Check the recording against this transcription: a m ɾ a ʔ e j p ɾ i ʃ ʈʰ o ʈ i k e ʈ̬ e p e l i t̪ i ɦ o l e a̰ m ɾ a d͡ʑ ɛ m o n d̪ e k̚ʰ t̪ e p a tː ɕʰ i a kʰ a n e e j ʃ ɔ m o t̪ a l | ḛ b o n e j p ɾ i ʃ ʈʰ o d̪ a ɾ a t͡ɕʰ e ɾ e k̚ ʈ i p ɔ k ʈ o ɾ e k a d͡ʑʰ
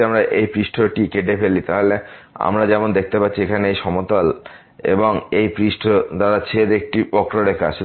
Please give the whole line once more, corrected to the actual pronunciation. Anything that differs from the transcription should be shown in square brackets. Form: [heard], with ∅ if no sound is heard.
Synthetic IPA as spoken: a m ɾ a ʔ e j p ɾ i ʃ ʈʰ o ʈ i k e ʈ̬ e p e l i t̪ [a] ɦ o l e a̰ m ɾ a d͡ʑ ɛ m o n d̪ e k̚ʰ t̪ e p a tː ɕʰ i [e] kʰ a n e e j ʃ ɔ m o t̪ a l | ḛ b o [ŋ] e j p ɾ i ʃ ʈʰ o d̪ a ɾ a t͡ɕʰ e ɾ e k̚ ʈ i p ɔ k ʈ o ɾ e k a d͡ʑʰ

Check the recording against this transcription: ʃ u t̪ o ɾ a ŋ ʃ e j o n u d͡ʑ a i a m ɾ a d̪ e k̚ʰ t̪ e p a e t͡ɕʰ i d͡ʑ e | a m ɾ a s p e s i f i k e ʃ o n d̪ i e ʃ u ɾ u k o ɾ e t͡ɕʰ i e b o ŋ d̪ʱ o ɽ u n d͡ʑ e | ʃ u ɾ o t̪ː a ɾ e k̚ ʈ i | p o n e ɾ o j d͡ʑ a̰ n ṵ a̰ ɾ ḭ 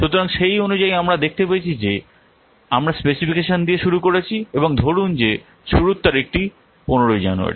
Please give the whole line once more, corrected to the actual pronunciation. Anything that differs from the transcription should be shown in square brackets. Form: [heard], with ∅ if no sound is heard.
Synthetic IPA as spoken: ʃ u t̪ o ɾ a ŋ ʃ e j o n u d͡ʑ a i a m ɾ a d̪ e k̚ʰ t̪ e p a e t͡ɕʰ i d͡ʑ e | a m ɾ a s p e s i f i k e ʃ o n d̪ i e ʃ u ɾ u k o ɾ e t͡ɕʰ i e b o ŋ d̪ʱ o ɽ u n d͡ʑ e | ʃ u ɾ [u] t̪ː a ɾ e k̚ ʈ i | p o n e ɾ o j d͡ʑ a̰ n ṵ a̰ ɾ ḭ

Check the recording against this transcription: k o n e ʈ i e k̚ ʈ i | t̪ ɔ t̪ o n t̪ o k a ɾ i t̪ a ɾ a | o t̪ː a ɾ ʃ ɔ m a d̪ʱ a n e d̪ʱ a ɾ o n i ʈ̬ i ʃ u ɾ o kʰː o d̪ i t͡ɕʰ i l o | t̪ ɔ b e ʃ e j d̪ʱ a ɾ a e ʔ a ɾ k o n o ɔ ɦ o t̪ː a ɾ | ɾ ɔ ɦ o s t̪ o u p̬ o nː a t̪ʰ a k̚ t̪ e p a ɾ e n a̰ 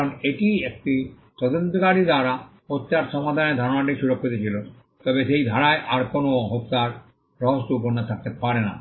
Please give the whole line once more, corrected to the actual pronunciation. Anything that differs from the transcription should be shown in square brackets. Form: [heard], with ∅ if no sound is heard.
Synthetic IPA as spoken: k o n e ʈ i e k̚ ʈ i | t̪ ɔ [d̪] o n t̪ o k a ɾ i [d̪] a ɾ a | o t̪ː a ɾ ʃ ɔ m a d̪ʱ a n e d̪ʱ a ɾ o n [a] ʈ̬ i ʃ u ɾ o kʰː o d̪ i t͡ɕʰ i l o | t̪ ɔ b e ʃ e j d̪ʱ a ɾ a e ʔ a ɾ k o n o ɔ ɦ o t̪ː a ɾ | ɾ ɔ ɦ o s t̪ o u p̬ o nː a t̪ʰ a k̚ t̪ e p a ɾ e n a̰

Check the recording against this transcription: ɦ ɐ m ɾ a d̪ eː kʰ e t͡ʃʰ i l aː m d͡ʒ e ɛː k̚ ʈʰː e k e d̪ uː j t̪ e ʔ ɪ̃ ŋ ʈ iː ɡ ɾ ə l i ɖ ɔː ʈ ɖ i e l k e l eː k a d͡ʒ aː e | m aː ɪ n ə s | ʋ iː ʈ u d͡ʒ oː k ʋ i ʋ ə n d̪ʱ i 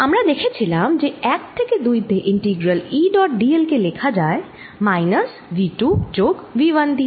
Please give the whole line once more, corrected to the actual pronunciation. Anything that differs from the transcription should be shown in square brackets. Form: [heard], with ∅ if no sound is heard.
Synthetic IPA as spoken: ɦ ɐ m ɾ a d̪ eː kʰ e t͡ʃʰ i l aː m d͡ʒ e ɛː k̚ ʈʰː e k e d̪ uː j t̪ e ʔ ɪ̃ [ɳ] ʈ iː ɡ ɾ ə l i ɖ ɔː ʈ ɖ i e l k e l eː [kʰ] a d͡ʒ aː e | m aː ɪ n ə s | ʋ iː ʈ u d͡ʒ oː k ʋ i ʋ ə n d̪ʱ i

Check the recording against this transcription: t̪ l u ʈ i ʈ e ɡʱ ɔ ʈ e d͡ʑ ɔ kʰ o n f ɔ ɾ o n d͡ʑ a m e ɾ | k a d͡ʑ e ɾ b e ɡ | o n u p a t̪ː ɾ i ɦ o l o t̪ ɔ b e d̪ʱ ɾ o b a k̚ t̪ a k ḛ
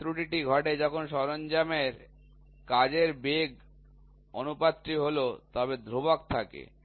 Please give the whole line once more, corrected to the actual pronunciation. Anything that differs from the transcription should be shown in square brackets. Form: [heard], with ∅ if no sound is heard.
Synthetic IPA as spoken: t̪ [ɾ] u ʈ i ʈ [i] ɡʱ ɔ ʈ e d͡ʑ ɔ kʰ o n [ʃ] ɔ ɾ o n d͡ʑ a m e ɾ | k a d͡ʑ e ɾ b e ɡ | o n u p a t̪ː ɾ i ɦ o l o t̪ ɔ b e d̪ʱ ɾ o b a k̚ [t̪ʰ] a k ḛ

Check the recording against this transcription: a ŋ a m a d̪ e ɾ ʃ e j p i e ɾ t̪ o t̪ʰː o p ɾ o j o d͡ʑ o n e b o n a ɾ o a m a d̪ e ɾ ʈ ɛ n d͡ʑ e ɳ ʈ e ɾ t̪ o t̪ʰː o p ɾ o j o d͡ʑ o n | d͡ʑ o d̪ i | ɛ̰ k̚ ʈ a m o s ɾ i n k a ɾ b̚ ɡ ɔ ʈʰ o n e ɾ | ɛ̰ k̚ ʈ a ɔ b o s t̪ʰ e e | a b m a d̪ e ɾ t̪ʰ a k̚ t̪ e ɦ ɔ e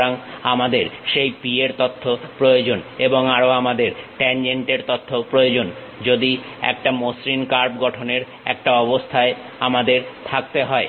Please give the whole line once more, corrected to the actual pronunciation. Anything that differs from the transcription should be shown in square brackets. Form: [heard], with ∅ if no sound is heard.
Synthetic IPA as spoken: a ŋ a m a d̪ e ɾ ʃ e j p i e ɾ t̪ o t̪ʰː o p ɾ o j o d͡ʑ o n e b o [ŋ] a ɾ o a m a d̪ e ɾ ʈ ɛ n d͡ʑ e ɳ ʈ e ɾ t̪ o t̪ʰː o p ɾ o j o d͡ʑ o n | d͡ʑ o d̪ i | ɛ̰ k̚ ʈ a m o s ɾ i n k a ɾ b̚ ɡ ɔ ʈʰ o n e ɾ | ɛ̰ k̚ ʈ a ɔ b o s t̪ʰ [a] e | a [∅] m a d̪ e ɾ t̪ʰ a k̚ t̪ e ɦ ɔ e

